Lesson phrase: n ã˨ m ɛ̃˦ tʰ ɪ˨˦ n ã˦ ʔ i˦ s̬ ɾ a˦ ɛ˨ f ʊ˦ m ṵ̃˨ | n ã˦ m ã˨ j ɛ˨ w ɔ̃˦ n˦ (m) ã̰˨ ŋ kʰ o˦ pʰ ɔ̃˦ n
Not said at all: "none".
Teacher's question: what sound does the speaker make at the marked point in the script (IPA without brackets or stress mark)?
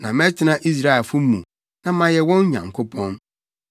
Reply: ɲ